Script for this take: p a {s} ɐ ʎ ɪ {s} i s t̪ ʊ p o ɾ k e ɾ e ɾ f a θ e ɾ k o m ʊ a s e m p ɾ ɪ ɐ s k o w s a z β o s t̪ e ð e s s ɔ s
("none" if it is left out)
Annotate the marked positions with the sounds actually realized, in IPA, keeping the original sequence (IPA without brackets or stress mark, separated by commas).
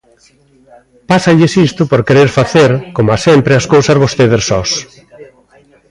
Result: s, s